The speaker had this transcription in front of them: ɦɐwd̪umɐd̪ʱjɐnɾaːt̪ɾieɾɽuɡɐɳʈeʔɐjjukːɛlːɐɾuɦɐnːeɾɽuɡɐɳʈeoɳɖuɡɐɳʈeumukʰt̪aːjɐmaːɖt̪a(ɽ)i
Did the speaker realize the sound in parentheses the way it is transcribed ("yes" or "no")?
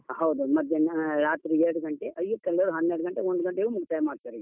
no